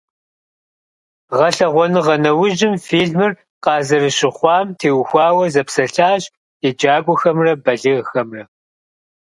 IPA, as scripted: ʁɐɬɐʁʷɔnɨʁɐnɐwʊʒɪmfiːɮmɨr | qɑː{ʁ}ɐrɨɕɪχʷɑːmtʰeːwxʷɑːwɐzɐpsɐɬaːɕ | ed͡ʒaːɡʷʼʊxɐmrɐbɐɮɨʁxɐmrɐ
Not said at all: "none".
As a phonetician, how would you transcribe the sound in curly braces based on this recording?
z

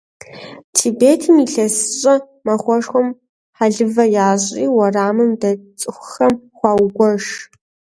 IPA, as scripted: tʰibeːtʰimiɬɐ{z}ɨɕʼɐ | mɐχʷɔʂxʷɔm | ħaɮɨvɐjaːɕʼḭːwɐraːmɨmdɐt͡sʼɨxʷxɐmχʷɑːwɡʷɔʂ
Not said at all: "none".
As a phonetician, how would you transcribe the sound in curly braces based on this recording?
s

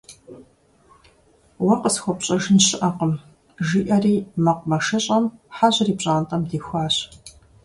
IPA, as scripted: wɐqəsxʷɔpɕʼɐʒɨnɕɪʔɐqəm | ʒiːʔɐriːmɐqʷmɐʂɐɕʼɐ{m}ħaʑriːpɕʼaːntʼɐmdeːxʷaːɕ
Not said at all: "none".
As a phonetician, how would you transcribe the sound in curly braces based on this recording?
m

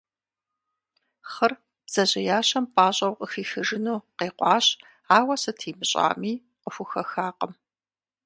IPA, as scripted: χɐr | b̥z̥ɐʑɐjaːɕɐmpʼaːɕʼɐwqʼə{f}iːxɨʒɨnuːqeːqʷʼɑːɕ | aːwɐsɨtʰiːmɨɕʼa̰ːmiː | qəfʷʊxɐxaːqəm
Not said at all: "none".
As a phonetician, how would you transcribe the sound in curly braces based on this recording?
x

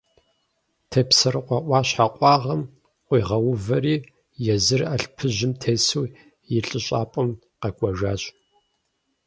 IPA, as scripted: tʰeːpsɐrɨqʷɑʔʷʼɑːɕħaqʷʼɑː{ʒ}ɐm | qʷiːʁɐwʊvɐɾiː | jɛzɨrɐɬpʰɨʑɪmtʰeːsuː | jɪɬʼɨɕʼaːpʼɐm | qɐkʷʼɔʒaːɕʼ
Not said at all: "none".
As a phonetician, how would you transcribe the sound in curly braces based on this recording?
ʁ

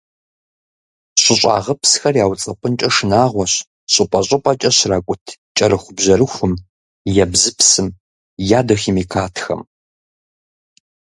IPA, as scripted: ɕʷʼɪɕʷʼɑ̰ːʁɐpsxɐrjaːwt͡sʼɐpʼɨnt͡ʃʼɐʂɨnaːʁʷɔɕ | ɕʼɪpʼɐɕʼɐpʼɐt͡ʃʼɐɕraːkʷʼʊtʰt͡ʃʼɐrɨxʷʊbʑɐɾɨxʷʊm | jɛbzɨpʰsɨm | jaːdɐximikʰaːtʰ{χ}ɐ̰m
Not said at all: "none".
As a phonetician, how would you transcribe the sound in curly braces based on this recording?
x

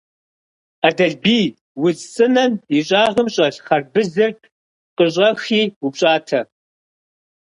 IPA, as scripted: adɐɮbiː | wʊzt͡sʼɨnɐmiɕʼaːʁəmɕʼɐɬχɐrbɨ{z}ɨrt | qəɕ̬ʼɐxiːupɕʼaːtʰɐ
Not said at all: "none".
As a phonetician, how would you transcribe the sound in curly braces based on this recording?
z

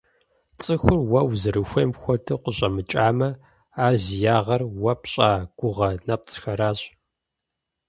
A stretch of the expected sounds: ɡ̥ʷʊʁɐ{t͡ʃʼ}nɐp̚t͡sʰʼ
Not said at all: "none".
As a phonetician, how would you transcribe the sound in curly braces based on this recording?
none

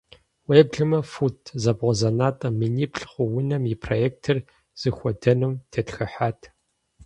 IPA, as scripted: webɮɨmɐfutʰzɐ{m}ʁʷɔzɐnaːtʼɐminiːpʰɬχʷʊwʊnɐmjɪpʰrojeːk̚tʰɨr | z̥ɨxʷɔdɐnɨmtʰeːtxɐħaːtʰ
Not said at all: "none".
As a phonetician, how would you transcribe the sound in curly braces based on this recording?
b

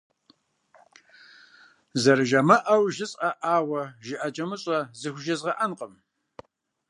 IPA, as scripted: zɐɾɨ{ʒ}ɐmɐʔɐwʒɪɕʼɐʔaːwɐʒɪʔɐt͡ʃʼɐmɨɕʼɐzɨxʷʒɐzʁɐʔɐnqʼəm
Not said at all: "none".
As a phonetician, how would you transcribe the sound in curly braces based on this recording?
ʒ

